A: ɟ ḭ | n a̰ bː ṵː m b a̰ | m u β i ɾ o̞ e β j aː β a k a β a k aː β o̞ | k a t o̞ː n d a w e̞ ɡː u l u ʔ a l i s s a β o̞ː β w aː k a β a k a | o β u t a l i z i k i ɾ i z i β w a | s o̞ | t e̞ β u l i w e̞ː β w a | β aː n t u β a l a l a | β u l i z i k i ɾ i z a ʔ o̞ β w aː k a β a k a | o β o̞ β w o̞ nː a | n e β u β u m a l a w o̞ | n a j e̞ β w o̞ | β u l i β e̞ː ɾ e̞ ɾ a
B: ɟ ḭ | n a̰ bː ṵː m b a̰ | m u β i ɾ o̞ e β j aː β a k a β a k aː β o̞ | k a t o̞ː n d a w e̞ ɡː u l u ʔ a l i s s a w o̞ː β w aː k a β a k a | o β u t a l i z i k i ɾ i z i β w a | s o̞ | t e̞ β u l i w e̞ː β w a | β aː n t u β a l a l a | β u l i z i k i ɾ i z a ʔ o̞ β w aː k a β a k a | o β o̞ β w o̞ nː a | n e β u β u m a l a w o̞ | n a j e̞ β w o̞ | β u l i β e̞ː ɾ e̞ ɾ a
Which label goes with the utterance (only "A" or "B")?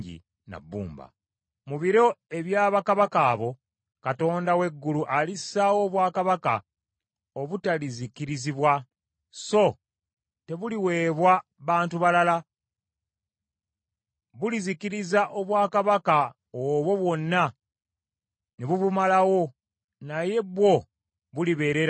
B